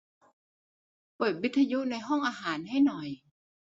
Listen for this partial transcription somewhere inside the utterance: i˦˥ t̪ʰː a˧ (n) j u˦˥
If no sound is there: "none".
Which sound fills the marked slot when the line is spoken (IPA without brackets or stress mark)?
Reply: none